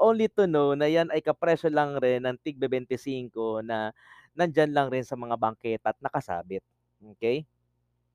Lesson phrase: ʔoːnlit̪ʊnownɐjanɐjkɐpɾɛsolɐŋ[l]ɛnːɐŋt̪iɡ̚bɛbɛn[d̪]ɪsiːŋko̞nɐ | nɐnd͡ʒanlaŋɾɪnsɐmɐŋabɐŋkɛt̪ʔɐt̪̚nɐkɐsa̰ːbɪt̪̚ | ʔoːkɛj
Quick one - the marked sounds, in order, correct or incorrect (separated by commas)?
incorrect, incorrect